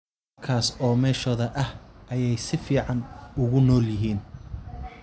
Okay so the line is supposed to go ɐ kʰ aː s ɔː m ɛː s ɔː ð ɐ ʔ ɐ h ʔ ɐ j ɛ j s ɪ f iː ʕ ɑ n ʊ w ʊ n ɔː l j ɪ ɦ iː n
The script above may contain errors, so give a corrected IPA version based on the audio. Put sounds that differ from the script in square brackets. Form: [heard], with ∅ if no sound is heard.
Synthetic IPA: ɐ kʰ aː s ɔː m ɛː [ʃ] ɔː ð ɐ ʔ ɐ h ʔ ɐ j ɛ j s ɪ f iː ʕ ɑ n ʊ [ɣ] ʊ n ɔː l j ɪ ɦ iː n